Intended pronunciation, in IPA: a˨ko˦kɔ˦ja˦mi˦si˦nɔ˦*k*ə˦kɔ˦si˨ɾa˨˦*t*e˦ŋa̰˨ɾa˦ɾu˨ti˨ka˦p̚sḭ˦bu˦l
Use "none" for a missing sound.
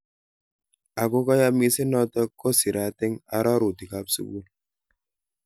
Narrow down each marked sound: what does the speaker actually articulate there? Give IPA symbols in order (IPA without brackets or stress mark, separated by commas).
t, t